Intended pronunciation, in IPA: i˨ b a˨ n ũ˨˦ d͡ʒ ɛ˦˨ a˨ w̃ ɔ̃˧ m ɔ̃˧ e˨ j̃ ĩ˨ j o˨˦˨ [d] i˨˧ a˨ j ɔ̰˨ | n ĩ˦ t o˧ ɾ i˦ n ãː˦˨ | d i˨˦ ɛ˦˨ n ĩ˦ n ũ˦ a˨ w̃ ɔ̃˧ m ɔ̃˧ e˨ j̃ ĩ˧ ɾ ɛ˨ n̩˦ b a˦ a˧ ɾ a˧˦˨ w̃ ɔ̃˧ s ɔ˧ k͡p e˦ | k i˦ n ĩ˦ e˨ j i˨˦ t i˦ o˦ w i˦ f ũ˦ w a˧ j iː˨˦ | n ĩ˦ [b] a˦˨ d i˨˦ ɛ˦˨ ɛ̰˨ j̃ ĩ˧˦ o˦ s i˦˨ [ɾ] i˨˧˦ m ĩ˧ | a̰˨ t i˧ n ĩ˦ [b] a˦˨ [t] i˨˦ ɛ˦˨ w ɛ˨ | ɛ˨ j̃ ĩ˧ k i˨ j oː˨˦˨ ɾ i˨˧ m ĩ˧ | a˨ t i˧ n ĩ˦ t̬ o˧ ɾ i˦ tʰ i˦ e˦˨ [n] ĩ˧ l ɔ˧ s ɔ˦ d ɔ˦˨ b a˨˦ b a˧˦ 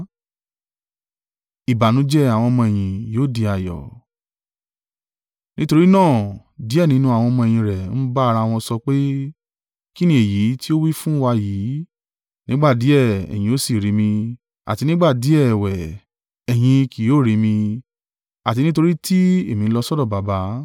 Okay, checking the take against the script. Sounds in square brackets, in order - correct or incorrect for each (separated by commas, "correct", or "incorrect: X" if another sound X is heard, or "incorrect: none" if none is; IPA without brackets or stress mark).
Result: correct, incorrect: ɡ͡b, correct, incorrect: ɡ͡b, incorrect: d, incorrect: m